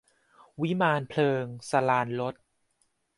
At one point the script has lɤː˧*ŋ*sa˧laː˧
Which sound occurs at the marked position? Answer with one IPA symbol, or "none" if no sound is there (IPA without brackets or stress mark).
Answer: ŋ